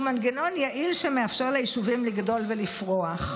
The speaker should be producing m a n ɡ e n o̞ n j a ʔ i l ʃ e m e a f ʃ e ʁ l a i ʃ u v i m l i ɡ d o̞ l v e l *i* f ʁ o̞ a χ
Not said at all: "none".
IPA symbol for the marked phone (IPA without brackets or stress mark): i